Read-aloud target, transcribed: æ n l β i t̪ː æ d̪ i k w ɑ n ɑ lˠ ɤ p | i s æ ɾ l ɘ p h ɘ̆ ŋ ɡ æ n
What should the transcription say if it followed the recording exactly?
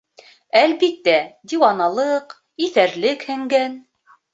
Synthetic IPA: æ l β i t̪ː æ d̪ i w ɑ n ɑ lˠ ɤ q | i θ æ ɾ l ɘ k h ɘ̆ ŋ ɡ æ n